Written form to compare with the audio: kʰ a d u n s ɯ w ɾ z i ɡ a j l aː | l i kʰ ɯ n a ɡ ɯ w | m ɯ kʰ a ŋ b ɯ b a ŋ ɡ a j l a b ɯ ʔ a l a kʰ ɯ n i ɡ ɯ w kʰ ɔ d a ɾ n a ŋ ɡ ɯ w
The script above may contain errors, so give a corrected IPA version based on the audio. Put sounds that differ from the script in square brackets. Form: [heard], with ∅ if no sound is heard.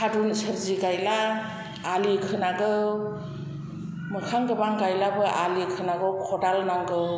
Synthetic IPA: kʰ a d u n s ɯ [∅] ɾ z i ɡ a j l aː | l i kʰ ɯ n a ɡ ɯ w | m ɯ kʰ a ŋ [ɡ] ɯ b a ŋ ɡ a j l a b ɯ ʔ a l [i] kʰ ɯ n [a] ɡ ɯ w kʰ ɔ d a [l] n a ŋ ɡ ɯ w